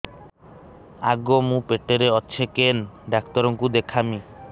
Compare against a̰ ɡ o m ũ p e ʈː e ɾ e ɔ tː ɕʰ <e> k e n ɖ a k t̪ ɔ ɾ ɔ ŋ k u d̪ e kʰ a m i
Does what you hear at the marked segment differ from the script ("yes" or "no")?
no